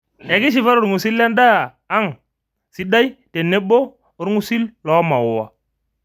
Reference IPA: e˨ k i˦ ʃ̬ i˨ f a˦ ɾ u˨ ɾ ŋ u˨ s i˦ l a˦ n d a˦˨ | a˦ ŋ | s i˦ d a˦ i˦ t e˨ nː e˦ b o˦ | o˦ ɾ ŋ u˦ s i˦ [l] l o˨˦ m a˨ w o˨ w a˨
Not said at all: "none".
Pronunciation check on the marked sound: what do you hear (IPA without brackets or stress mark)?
l